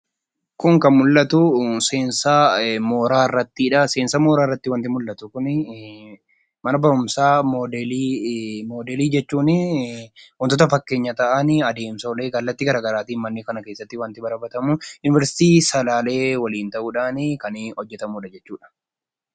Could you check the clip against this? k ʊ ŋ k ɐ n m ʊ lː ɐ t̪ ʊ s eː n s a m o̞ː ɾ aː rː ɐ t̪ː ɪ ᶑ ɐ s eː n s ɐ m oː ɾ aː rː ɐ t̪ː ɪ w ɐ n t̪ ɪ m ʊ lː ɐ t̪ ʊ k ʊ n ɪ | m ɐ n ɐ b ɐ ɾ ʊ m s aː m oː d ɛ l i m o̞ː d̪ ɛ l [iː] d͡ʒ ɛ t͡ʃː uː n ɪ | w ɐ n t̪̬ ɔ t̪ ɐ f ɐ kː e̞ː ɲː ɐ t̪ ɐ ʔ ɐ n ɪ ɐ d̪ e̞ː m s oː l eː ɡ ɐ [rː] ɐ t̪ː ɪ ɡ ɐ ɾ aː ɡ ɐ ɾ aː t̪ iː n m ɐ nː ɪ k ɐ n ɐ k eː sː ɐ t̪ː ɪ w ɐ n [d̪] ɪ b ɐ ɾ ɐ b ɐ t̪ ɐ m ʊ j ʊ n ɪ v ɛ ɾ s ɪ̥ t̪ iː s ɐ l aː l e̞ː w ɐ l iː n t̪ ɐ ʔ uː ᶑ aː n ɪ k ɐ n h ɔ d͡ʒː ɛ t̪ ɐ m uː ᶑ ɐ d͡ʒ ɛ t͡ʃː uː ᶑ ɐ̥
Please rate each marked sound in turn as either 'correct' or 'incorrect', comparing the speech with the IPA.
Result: correct, incorrect, incorrect

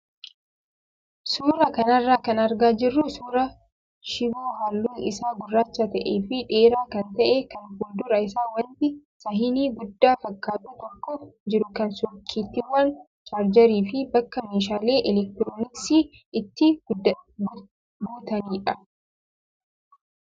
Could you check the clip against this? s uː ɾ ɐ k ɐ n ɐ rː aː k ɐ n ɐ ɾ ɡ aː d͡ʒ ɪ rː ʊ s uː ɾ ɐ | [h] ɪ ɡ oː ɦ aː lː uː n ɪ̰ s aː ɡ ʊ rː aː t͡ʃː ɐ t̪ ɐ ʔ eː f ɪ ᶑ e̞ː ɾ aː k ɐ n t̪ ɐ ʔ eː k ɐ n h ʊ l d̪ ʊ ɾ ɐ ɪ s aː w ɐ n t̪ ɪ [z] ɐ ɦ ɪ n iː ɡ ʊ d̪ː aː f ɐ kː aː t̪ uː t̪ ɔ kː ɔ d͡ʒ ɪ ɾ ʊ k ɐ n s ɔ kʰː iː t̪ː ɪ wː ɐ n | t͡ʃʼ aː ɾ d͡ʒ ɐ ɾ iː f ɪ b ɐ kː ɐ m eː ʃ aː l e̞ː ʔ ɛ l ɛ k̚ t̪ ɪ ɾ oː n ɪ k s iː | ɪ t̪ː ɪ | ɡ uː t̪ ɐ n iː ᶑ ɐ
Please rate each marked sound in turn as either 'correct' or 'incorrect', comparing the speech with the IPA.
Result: incorrect, incorrect

